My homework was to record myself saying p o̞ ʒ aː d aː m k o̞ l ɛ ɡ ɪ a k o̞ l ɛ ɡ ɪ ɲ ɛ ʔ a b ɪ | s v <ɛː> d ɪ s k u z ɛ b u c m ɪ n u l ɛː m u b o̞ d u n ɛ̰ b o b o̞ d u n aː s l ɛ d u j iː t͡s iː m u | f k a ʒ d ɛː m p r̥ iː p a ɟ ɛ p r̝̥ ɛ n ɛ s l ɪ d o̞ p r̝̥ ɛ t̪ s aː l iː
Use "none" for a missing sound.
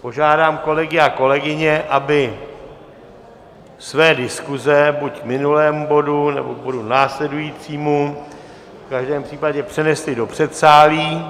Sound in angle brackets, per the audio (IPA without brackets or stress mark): ɛː